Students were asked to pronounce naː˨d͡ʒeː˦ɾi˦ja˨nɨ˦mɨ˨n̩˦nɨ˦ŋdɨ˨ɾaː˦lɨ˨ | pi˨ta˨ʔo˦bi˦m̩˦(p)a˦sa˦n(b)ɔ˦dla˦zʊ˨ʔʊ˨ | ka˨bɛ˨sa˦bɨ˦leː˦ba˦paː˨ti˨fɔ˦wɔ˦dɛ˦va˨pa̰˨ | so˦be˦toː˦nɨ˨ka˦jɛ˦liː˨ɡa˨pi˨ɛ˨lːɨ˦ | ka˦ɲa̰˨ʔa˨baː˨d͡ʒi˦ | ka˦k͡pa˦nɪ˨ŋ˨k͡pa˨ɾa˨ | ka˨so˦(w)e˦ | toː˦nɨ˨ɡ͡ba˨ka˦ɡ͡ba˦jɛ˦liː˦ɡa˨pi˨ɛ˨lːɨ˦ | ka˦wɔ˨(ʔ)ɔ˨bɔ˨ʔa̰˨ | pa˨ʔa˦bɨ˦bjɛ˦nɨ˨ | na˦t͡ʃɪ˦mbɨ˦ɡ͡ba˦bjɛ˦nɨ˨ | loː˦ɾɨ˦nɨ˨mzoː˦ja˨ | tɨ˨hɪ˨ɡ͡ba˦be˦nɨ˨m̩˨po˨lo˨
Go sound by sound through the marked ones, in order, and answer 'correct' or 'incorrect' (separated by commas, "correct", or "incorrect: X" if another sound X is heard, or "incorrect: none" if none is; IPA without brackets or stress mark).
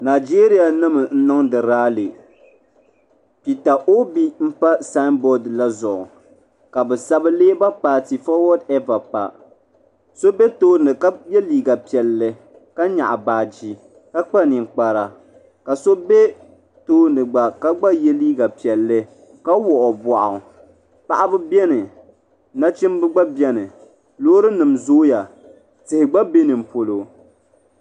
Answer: correct, correct, incorrect: b, correct